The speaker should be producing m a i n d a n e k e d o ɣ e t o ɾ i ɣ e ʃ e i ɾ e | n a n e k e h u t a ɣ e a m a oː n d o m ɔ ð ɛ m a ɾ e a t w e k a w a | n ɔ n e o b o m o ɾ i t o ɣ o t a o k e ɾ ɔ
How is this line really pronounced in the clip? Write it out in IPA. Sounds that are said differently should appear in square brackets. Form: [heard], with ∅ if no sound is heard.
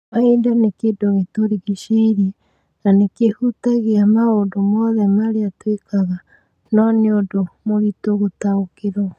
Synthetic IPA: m a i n d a n e k e d o ɣ e t o ɾ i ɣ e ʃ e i ɾ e | n a n e k e h u t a ɣ e a m a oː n d o m ɔ ð ɛ m a ɾ e a t w e k a [ɣ] a | n ɔ n e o [d] o m o ɾ i t o ɣ o t a o k e ɾ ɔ